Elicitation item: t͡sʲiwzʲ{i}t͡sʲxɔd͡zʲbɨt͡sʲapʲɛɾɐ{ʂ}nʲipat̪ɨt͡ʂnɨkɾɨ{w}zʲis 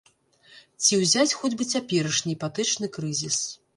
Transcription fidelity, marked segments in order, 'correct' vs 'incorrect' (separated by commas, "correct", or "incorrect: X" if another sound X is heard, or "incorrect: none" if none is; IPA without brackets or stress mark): incorrect: a, correct, incorrect: none